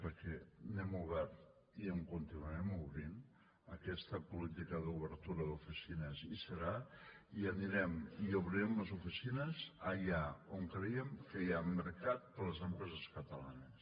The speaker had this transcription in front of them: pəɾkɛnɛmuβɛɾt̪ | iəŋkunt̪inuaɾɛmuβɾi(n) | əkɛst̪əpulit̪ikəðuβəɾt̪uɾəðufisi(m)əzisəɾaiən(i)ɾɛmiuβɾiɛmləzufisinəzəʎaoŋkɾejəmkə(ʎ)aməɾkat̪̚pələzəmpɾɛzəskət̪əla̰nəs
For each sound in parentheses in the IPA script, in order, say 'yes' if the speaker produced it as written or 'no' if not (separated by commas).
yes, no, yes, no